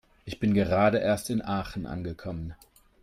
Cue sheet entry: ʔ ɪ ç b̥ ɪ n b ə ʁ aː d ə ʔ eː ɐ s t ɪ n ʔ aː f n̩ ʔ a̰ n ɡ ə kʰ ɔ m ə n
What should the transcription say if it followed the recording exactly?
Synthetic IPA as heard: ʔ ɪ ç b̥ ɪ n ɡ ə ʁ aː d ə ʔ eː ɐ s t ɪ n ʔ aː χ n̩ ʔ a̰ n ɡ ə kʰ ɔ m ə n